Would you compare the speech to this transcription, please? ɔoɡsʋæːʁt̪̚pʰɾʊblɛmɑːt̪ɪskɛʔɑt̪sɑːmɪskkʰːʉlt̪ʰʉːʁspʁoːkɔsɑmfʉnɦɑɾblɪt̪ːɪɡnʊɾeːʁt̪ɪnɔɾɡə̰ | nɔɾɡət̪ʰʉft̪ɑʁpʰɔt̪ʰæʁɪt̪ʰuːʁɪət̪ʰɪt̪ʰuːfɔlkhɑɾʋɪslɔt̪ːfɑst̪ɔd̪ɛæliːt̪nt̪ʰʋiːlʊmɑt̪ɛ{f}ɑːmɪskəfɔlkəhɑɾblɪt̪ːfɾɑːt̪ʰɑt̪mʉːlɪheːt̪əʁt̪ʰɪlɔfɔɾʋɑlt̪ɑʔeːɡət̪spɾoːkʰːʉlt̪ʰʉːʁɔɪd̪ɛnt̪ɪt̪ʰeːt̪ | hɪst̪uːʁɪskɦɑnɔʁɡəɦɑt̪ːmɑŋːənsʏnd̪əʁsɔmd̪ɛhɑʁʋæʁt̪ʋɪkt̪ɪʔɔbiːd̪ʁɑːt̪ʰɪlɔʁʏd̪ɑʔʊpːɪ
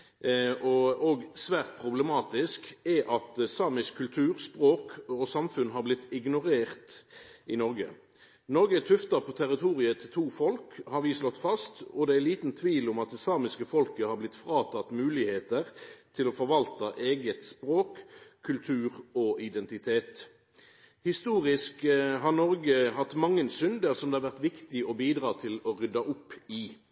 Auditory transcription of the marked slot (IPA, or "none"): s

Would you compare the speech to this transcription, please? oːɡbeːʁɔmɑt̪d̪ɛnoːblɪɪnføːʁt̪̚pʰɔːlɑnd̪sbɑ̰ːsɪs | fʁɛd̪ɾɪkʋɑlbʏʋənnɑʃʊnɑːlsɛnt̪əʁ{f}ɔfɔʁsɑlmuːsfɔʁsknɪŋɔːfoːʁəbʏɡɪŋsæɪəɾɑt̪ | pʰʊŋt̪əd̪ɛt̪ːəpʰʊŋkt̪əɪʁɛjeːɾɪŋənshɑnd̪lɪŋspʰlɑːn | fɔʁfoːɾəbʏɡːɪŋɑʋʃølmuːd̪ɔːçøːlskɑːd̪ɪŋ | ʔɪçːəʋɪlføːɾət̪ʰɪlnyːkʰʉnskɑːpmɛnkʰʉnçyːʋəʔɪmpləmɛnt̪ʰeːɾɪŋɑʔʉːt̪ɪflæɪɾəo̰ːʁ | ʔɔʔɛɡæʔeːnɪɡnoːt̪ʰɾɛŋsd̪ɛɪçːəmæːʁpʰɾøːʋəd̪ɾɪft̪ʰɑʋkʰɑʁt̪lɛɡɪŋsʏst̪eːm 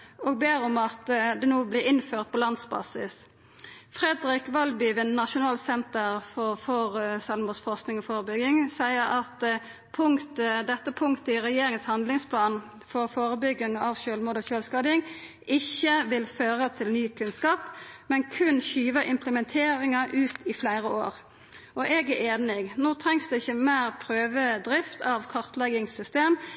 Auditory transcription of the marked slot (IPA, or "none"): f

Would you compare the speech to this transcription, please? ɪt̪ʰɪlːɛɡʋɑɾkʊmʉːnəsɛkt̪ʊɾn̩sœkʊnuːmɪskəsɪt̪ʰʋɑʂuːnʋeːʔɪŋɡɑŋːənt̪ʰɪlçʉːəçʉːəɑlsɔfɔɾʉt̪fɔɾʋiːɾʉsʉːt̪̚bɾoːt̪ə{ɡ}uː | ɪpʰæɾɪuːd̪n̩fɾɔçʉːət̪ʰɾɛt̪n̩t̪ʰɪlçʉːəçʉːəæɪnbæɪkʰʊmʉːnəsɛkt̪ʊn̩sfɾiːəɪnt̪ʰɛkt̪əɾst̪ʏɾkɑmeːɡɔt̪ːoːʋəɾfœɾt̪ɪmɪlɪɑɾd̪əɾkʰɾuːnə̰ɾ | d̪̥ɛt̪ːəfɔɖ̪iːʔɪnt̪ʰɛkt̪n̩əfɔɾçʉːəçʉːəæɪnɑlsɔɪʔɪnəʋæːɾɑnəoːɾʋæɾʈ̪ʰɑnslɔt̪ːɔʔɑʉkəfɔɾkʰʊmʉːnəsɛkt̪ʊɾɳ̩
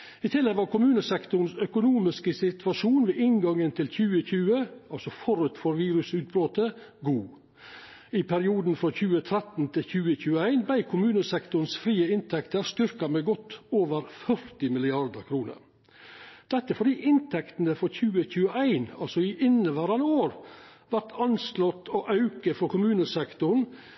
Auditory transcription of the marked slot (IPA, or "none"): ɡ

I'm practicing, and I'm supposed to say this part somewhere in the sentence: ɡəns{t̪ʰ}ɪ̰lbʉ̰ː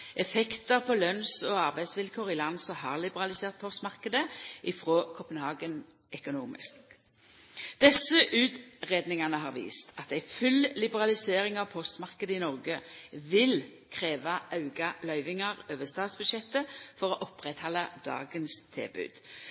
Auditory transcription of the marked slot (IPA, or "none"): t̪ʰ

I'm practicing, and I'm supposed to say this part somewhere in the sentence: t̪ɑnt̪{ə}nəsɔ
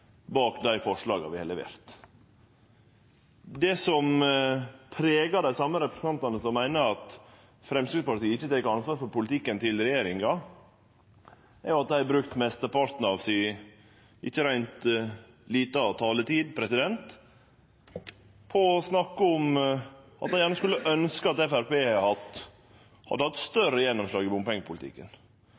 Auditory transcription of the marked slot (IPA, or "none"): ɑ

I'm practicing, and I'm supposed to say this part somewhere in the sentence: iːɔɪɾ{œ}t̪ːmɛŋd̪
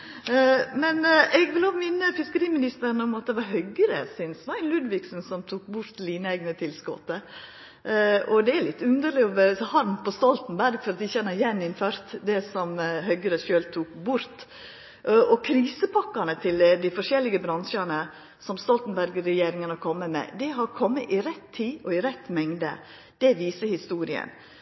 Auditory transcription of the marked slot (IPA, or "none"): ɛ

